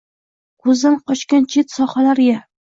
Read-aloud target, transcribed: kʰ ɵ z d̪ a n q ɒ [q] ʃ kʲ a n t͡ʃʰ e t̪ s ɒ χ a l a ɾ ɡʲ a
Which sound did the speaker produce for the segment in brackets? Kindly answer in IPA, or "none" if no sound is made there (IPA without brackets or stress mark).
none